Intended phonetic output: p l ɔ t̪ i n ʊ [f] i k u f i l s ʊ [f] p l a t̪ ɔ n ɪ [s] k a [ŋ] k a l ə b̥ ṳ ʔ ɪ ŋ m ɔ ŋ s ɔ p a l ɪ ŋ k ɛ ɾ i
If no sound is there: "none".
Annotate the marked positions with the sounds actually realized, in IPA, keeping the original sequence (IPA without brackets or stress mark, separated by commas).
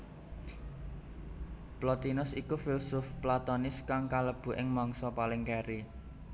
s, f, s, ŋ